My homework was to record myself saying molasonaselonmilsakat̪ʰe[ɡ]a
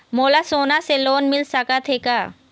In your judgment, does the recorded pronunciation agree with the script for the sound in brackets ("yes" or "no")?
no